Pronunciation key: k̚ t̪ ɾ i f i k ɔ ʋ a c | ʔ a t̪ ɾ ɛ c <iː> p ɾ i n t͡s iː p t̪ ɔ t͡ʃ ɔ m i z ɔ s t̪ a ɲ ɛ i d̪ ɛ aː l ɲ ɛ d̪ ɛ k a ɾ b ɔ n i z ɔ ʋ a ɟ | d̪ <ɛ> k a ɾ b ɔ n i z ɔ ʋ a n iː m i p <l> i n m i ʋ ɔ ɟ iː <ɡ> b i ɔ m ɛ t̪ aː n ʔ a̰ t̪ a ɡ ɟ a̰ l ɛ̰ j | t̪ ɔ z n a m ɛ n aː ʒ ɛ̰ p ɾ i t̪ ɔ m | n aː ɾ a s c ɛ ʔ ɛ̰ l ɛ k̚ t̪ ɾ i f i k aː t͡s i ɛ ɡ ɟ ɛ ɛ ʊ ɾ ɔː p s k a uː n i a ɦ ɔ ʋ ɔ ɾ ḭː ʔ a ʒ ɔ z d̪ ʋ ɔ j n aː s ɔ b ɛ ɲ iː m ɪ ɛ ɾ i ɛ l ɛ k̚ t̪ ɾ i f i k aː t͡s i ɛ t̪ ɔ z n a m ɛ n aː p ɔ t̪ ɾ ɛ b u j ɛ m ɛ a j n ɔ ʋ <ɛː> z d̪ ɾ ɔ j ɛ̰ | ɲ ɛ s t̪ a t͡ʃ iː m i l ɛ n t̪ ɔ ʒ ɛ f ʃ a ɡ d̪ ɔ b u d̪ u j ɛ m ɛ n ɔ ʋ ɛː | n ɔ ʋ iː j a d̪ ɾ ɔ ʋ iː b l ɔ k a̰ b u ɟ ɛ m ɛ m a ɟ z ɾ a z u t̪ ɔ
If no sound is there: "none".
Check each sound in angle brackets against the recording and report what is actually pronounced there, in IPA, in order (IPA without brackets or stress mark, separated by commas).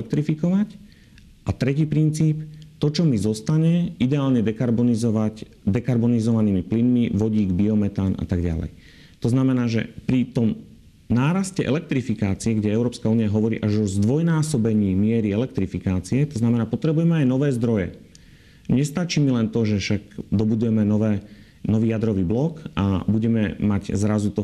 iː, ɛ, l, ɡ, ɛː